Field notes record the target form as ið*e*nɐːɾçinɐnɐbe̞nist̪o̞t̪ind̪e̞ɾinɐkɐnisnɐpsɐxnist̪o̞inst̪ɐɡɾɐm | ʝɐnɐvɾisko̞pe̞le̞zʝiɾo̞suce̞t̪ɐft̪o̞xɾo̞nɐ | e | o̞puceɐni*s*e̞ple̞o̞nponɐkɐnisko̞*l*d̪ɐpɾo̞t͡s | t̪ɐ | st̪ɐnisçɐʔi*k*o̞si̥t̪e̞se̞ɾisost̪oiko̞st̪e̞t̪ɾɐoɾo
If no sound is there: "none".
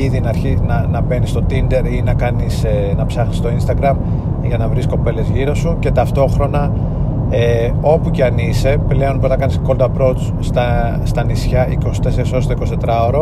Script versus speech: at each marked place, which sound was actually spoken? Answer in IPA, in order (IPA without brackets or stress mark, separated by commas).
i, s, l, k